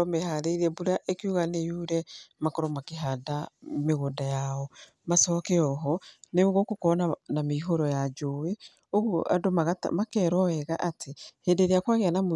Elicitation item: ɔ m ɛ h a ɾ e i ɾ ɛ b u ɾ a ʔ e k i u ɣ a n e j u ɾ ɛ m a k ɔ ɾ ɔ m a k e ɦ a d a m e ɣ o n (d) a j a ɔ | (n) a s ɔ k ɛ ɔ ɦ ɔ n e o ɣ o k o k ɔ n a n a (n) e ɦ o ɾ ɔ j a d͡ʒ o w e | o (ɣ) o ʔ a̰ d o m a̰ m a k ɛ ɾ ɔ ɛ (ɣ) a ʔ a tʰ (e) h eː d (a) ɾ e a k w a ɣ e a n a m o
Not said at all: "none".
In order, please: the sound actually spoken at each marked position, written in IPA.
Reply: d, m, m, ɣ, ɣ, e, e

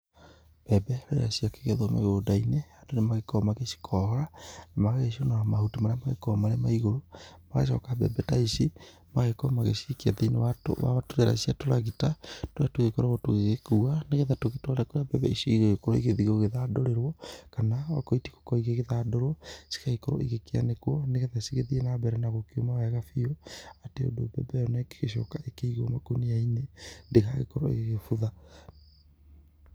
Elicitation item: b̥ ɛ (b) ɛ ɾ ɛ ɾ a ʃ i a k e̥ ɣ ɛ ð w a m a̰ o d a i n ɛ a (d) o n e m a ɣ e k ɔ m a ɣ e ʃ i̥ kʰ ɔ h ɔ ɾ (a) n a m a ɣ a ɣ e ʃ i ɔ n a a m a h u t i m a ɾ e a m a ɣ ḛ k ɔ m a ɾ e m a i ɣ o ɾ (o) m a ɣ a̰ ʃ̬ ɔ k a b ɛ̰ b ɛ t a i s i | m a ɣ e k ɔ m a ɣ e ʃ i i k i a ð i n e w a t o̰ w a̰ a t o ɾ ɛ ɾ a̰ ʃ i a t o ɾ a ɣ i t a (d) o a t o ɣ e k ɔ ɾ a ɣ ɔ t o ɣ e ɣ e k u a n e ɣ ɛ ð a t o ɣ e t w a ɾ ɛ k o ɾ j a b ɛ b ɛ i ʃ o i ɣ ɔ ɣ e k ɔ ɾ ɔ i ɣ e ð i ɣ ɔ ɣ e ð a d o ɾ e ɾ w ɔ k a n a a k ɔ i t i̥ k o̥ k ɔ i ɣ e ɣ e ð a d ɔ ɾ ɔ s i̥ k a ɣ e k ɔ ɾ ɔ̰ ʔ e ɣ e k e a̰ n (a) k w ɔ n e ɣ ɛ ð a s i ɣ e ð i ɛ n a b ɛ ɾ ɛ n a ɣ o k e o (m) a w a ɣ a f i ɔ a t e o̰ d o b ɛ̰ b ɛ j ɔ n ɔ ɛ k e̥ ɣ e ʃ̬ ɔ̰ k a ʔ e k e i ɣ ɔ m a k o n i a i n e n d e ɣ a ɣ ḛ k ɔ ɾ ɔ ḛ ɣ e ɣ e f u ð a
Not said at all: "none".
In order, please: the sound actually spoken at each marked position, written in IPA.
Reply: b, d, a, o, t, e, m

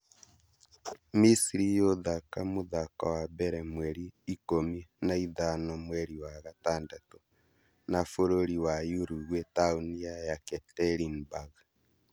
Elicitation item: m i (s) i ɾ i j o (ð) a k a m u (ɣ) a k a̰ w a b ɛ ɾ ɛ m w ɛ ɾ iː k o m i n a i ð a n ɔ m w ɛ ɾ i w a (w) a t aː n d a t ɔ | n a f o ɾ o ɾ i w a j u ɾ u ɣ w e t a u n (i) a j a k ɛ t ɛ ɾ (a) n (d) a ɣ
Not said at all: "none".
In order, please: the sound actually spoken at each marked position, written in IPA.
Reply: s, ð, ð, ɣ, i, i, b

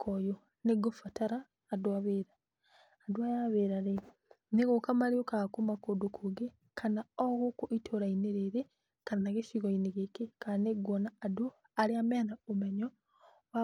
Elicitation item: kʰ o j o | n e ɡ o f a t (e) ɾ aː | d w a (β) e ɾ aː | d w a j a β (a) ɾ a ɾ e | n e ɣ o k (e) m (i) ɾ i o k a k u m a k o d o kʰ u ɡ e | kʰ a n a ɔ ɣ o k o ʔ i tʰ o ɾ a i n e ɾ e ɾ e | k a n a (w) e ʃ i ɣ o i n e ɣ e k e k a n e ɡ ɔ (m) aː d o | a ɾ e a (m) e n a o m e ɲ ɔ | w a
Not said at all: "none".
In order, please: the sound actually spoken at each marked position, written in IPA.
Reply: a, β, e, a, a, ɣ, n, m

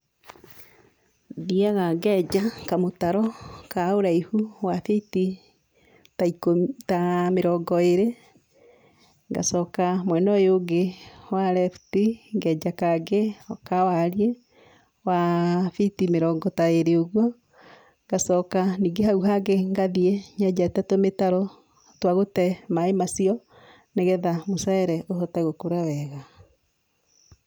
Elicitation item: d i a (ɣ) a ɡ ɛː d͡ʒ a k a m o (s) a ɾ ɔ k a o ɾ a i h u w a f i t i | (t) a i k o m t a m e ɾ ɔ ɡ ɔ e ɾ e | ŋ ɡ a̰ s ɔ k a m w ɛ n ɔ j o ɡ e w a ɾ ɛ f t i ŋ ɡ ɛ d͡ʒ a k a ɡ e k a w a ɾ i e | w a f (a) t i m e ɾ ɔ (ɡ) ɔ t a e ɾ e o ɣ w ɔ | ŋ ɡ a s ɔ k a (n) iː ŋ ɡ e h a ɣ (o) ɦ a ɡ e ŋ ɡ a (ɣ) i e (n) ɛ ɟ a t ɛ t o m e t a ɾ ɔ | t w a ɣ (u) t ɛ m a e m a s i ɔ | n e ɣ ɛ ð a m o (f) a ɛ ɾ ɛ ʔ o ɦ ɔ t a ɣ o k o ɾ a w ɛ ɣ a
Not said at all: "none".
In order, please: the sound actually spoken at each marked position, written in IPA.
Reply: ɣ, t, t, i, ɡ, n, u, ð, ɲ, o, s

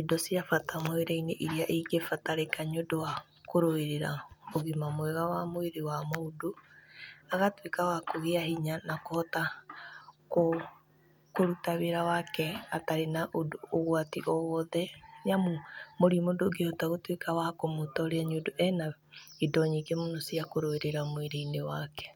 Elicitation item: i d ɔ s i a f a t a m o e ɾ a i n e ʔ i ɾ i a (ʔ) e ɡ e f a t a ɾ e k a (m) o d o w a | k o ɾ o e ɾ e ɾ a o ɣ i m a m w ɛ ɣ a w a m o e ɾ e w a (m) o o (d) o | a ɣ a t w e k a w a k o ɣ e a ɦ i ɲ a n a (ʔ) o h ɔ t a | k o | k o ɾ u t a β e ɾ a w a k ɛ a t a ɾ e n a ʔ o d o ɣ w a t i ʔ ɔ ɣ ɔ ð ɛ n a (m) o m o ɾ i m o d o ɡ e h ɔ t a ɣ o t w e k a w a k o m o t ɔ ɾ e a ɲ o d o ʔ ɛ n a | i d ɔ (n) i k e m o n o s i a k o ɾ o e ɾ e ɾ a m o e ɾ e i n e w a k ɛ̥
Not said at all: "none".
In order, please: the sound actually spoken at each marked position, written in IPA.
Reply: ʔ, ɲ, m, d, k, m, ɲ

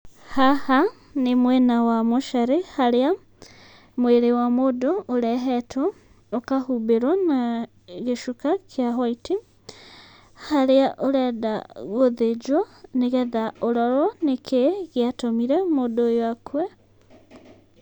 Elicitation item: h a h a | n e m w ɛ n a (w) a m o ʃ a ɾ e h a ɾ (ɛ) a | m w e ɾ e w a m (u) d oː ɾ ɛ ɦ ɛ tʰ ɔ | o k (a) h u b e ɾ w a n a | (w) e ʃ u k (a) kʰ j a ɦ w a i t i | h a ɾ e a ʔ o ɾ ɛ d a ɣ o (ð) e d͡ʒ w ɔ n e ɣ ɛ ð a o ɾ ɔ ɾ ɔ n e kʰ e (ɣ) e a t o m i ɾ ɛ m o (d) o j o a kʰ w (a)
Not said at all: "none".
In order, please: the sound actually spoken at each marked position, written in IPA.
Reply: w, e, o, a, ɣ, a, ð, ɣ, d, ɛ

